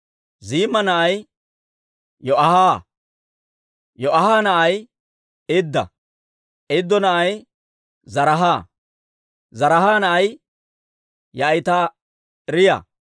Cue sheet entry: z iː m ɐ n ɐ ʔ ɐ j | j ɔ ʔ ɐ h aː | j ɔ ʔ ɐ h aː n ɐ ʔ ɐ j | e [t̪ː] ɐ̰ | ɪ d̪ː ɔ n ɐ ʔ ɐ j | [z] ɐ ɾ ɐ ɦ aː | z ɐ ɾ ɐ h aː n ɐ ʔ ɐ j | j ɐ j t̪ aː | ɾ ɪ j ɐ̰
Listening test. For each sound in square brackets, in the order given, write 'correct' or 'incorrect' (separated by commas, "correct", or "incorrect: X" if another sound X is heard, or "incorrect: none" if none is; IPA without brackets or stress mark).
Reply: incorrect: d̪ː, correct